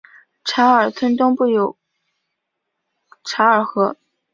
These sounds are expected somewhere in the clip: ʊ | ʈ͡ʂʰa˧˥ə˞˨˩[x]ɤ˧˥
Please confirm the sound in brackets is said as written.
yes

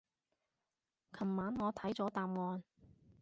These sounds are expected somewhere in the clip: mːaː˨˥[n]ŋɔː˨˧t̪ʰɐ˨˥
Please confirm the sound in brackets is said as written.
yes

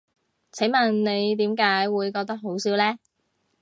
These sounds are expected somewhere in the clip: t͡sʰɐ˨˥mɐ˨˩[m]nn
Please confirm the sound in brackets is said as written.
no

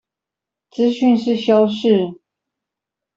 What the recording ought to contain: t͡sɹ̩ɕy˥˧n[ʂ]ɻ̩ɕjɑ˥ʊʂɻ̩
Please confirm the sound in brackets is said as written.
yes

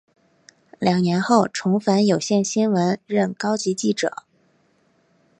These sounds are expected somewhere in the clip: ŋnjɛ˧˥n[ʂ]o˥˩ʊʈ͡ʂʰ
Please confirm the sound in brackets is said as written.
no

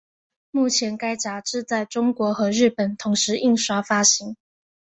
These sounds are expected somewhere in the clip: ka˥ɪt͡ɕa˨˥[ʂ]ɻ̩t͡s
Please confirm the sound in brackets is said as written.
no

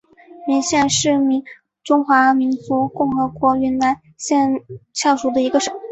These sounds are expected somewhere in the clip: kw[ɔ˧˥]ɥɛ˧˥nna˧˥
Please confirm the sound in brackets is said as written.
yes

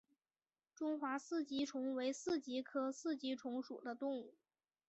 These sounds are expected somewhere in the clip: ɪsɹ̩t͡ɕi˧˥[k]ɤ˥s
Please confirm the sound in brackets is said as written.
no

